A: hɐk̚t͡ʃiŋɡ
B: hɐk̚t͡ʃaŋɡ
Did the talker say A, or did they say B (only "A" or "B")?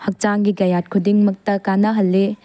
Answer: B